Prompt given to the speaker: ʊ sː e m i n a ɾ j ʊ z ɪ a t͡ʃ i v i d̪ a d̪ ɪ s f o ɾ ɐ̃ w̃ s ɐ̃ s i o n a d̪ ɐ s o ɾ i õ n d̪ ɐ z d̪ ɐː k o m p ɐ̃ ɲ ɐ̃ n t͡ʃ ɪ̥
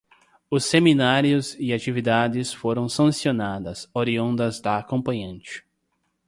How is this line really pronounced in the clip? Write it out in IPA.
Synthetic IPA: ʊ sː e m i n a ɾ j ʊ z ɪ a t͡ʃ i v i d̪ a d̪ ɪ s f o ɾ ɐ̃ w̃ s ɐ̃ s i o n a d̪ ɐ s o ɾ i õ n d̪ ɐ z d̪ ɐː k õ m p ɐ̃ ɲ ɐ̃ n t͡ʃ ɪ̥